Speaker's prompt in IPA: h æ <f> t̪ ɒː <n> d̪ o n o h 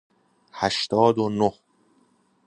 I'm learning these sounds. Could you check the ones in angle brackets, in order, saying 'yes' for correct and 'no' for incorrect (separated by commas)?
no, no